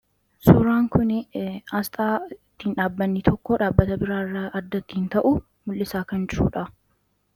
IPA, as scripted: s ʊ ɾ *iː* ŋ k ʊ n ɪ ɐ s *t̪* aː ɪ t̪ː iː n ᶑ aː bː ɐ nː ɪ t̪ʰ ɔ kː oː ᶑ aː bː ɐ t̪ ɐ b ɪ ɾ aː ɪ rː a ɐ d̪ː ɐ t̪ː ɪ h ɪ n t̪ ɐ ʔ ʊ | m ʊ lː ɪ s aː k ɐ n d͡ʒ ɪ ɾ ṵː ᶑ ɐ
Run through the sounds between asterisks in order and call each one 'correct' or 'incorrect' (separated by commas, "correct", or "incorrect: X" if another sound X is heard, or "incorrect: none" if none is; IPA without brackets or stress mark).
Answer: incorrect: aː, incorrect: t̪ʼ